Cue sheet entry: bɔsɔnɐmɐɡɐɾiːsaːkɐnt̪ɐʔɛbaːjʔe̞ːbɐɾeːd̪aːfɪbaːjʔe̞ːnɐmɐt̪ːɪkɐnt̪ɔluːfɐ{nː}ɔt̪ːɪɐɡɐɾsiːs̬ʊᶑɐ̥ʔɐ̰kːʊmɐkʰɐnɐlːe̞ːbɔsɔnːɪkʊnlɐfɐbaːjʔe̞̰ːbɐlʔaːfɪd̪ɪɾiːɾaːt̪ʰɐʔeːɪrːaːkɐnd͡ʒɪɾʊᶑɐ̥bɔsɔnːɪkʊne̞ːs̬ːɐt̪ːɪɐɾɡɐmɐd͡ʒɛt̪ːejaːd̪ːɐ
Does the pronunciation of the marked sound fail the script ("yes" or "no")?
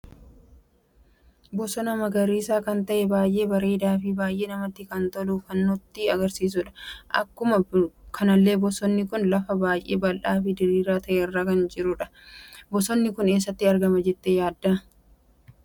no